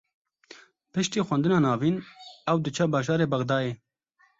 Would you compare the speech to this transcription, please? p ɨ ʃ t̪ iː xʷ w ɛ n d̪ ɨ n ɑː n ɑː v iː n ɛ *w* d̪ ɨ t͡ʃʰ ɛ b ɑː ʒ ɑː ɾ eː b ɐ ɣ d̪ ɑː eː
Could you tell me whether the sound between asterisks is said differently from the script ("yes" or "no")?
no